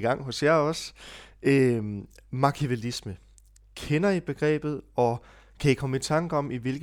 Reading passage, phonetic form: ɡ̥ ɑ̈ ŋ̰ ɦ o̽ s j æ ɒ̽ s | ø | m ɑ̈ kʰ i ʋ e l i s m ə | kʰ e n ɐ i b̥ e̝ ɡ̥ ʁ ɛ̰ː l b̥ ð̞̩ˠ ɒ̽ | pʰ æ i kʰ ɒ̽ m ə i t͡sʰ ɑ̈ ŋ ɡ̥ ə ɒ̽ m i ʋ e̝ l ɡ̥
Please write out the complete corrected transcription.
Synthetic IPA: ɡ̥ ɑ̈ ŋ̰ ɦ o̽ s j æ ɒ̽ s | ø | m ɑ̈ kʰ i ʋ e l i s m ə | kʰ e n ɐ i b̥ e̝ ɡ̥ ʁ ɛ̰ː b̥ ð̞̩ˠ ɒ̽ | kʰ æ i kʰ ɒ̽ m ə i t͡sʰ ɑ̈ ŋ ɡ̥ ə ɒ̽ m i ʋ e̝ l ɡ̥